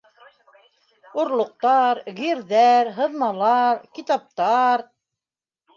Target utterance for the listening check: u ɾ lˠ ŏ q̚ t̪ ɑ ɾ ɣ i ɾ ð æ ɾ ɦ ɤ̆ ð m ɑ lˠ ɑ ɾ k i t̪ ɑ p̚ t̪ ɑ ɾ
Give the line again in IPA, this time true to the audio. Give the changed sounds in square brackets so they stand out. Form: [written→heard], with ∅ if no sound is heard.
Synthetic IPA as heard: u ɾ lˠ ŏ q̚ t̪ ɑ ɾ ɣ i ɾ ð æ ɾ ɦ ɤ̆ ð m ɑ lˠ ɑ ɾ k i t̪ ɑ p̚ t̪ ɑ ɾ